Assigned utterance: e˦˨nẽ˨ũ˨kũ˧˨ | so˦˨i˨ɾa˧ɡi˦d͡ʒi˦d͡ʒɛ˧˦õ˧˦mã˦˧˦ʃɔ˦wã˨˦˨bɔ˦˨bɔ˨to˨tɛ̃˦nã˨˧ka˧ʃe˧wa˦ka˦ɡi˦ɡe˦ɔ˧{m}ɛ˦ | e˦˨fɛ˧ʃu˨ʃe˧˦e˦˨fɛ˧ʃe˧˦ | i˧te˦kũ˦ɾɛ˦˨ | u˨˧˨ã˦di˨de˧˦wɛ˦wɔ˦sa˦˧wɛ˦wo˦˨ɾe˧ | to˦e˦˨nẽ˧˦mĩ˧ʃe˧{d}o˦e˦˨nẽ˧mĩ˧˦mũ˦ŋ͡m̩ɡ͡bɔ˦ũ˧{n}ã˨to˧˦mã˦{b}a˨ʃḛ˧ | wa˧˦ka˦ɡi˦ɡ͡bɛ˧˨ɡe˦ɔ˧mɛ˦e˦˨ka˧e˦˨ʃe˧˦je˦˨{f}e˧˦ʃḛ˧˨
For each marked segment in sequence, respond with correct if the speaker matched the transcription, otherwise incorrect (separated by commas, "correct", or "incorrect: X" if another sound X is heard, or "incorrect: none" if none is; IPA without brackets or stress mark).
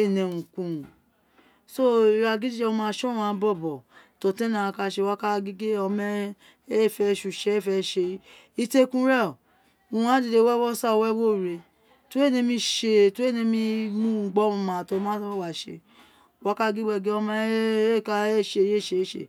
correct, incorrect: t, incorrect: m, incorrect: w, incorrect: ʃ